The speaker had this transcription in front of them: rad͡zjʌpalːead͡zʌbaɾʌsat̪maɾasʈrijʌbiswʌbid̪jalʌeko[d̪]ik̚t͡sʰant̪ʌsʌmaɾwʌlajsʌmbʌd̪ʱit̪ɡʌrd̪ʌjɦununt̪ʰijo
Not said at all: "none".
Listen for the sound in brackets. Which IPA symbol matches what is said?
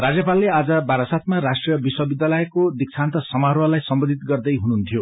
d̪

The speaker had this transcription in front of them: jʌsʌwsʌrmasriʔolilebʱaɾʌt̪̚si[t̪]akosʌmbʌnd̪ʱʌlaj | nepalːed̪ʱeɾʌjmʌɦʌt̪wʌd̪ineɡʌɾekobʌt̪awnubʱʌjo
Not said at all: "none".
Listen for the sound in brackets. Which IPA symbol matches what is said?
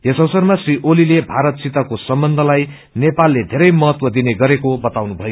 t̪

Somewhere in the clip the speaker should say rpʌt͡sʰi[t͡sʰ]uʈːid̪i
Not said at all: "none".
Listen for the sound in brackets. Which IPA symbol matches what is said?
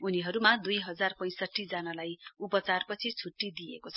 t͡sʰ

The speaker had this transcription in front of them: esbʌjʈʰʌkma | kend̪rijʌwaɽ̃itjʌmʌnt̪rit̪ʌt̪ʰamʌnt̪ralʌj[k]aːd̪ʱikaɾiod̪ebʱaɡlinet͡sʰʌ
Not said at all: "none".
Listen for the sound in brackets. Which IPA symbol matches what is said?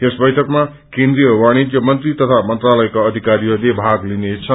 k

